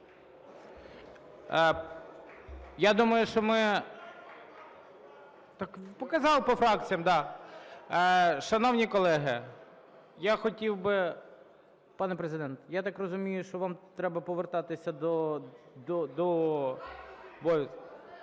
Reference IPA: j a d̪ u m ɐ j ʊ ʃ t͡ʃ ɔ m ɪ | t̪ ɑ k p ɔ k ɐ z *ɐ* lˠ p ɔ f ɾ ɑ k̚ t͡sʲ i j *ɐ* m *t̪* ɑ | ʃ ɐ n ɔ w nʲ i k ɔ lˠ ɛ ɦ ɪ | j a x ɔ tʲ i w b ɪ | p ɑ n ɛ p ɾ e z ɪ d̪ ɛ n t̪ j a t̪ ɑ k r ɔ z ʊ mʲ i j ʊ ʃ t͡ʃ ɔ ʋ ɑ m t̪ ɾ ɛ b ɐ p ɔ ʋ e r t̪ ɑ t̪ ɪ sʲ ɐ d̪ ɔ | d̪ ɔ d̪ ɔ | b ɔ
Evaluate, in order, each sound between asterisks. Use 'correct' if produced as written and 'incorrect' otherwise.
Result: incorrect, correct, incorrect

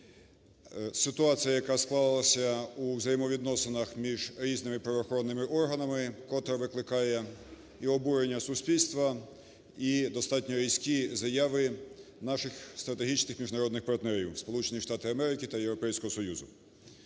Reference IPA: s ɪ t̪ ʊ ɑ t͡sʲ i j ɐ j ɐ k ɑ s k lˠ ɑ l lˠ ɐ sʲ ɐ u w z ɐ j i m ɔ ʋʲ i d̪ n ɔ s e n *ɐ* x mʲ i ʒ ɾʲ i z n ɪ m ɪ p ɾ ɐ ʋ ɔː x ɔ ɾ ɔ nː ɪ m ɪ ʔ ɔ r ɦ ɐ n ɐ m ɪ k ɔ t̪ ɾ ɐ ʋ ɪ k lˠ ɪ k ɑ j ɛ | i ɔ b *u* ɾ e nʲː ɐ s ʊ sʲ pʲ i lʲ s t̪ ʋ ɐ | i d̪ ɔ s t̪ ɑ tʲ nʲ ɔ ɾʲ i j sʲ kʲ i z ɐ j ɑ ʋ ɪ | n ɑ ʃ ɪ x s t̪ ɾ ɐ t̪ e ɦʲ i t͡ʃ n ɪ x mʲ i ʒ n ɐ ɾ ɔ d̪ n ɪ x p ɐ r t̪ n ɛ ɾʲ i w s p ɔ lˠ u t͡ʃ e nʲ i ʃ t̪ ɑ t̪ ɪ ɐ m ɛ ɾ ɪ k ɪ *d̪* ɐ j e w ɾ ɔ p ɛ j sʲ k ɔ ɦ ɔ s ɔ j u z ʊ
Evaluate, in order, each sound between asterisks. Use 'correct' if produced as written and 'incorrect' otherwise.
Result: correct, correct, incorrect

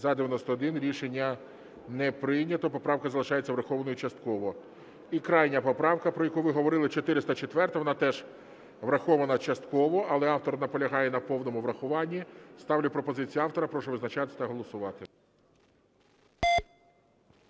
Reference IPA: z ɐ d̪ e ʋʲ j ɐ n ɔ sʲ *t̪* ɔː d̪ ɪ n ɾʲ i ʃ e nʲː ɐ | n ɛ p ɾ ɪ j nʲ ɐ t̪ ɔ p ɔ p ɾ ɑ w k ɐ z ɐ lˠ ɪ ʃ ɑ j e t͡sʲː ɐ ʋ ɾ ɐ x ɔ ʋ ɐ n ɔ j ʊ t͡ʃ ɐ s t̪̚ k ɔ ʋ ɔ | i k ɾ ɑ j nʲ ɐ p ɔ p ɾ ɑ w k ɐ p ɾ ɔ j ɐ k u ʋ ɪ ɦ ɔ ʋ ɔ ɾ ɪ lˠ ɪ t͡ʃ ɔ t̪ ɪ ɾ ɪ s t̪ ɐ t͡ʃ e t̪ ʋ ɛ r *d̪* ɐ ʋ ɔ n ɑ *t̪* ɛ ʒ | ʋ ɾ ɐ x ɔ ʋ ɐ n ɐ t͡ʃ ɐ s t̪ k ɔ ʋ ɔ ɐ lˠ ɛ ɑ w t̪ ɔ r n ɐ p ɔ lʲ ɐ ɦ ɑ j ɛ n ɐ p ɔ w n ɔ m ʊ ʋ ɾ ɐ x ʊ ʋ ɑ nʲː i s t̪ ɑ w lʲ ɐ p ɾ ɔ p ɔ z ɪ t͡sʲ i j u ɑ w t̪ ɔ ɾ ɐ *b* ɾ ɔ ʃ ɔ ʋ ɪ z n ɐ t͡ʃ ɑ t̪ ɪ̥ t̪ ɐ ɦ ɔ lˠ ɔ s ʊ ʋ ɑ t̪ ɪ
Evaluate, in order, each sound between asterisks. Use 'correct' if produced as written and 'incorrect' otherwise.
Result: correct, incorrect, correct, incorrect

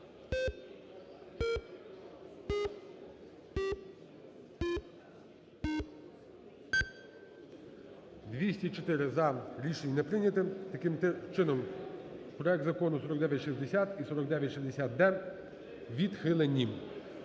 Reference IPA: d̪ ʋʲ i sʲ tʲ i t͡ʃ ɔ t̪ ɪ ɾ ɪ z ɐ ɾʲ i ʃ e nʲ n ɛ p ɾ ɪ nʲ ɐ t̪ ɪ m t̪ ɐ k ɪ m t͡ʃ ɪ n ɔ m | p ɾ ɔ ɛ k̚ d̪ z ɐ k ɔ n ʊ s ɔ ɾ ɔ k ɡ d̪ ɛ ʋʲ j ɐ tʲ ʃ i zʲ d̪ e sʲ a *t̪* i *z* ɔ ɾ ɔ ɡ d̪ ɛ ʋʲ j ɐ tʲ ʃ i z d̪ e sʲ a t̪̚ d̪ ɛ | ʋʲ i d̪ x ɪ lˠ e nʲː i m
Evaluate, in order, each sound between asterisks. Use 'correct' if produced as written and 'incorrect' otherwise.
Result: correct, incorrect

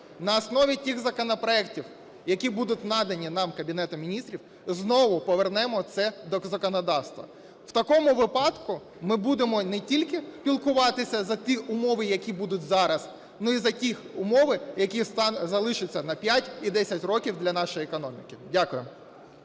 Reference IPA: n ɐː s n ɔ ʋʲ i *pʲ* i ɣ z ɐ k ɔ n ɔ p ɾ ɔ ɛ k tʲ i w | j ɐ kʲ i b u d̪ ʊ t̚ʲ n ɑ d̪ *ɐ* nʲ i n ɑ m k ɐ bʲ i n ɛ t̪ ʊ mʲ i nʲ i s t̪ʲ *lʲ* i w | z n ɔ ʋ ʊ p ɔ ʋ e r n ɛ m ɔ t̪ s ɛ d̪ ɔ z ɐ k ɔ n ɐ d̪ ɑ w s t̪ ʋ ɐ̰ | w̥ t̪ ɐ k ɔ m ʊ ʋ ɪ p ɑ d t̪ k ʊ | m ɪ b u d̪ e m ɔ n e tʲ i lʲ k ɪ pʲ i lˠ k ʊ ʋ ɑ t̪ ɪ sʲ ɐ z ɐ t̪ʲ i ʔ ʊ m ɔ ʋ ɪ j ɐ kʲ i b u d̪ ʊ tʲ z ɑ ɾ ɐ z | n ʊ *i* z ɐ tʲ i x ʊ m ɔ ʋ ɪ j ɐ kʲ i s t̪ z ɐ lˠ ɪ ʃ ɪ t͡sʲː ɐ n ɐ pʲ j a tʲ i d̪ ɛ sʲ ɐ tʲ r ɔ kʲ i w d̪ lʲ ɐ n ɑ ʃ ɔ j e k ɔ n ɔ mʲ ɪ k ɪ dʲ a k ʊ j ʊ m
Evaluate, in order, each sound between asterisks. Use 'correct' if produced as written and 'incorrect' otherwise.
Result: incorrect, correct, incorrect, correct

